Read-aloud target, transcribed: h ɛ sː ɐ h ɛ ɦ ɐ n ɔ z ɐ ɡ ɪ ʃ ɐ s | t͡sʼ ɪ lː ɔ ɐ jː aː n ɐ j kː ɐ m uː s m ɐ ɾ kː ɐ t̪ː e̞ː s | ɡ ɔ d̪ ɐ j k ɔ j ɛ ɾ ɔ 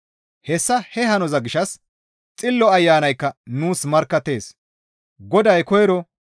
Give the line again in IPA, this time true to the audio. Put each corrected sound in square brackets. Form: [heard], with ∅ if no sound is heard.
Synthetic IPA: h ɛ sː ɐ h ɛ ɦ ɐ n ɔ z ɐ ɡ ɪ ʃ ɐ s | t͡sʼ ɪ lː ɔ ɐ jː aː n ɐ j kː ɐ [n] uː s m ɐ ɾ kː ɐ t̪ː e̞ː s | ɡ ɔ d̪ ɐ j k ɔ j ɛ ɾ ɔ